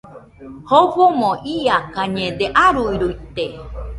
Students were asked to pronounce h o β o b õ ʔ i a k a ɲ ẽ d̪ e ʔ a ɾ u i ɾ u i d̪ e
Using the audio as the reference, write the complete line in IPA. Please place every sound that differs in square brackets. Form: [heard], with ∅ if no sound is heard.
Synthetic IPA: h o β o [m] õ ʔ i a k a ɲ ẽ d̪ e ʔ a ɾ u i ɾ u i [t̪] e